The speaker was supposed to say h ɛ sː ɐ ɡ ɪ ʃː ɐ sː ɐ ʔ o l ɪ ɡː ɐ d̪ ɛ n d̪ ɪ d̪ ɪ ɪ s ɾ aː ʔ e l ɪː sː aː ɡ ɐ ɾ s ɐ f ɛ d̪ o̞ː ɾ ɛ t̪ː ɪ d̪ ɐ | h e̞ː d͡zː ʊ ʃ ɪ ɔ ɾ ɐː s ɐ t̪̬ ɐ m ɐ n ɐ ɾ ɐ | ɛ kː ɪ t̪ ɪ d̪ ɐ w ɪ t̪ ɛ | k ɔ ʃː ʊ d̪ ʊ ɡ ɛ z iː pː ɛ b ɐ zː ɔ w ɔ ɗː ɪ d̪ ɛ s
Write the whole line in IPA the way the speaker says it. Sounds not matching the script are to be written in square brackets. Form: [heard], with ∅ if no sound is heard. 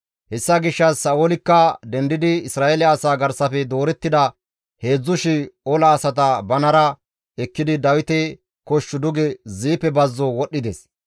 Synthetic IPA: h ɛ sː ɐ ɡ ɪ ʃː ɐ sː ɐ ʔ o l ɪ [kː] ɐ d̪ ɛ n d̪ ɪ d̪ ɪ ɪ s ɾ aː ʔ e l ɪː [s] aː ɡ ɐ ɾ s ɐ f ɛ d̪ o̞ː ɾ ɛ t̪ː ɪ d̪ ɐ | h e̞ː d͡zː ʊ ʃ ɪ ɔ [l] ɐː s ɐ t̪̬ ɐ [b] ɐ n ɐ ɾ ɐ | ɛ kː ɪ [d̪] ɪ d̪ ɐ w ɪ t̪ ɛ | k ɔ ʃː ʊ d̪ ʊ ɡ ɛ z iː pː ɛ b ɐ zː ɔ w ɔ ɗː ɪ d̪ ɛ s